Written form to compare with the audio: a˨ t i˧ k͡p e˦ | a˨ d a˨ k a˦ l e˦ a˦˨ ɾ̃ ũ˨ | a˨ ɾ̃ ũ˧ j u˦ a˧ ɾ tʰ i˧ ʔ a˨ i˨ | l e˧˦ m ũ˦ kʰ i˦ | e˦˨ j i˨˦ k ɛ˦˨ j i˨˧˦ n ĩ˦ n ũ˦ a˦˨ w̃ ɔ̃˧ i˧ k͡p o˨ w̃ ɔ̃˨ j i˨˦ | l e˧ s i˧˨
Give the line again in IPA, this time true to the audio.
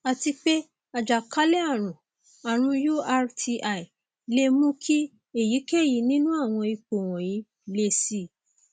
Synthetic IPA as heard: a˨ t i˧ k͡p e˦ | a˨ d͡ʒ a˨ k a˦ l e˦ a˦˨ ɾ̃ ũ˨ | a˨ ɾ̃ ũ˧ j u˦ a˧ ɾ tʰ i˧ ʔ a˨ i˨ | l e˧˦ m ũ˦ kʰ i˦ | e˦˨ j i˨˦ k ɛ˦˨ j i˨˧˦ n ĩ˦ n ũ˦ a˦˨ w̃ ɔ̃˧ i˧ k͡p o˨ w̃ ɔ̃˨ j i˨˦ | l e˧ s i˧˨